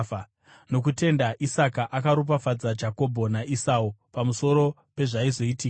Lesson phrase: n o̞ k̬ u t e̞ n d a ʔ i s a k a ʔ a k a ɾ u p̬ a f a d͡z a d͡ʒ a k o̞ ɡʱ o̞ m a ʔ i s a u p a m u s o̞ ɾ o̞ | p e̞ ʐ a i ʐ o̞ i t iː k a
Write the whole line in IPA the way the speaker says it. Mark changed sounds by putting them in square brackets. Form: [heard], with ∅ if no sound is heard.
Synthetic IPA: n o̞ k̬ u t e̞ n d a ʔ i s a k a ʔ a k a ɾ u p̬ a f a d͡z a d͡ʒ a k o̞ [bʱ] o̞ [n] a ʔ i s a u p a m u s o̞ ɾ o̞ | p e̞ ʐ a i [z] o̞ i t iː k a